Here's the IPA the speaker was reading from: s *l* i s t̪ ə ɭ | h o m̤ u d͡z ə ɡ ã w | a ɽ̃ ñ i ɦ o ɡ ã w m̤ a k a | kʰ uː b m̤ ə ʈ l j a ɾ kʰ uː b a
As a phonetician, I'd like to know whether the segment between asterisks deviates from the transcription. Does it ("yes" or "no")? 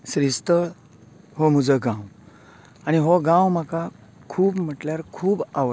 yes